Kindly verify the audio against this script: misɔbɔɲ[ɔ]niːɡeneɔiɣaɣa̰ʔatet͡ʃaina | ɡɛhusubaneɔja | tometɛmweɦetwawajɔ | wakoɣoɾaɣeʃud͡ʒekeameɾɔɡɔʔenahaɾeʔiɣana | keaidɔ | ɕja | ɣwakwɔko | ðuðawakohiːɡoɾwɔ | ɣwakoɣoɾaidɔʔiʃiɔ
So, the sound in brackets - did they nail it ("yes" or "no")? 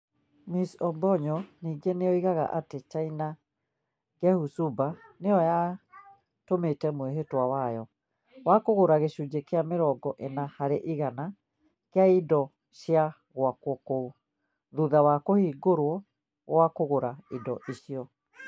yes